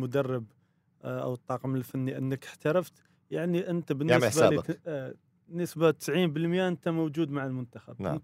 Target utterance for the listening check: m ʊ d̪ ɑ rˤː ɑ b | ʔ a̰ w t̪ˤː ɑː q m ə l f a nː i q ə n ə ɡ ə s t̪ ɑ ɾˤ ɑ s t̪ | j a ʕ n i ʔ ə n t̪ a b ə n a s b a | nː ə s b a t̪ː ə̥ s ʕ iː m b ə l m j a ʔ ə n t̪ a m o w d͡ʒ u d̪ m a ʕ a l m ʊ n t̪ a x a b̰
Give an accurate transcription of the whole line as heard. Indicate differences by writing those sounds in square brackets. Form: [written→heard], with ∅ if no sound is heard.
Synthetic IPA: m ʊ d̪ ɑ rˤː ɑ b | ʔ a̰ w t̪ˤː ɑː q m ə l f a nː i [q→ʔ] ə [n→nː] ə [ɡ→k] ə [s→ħ] t̪ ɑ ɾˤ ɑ [s→f] t̪ | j a ʕ n i ʔ ə n t̪ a b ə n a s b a | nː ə s b a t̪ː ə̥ s ʕ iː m b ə l m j a ʔ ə n t̪ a m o w d͡ʒ u d̪ m a ʕ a l m ʊ n t̪ a x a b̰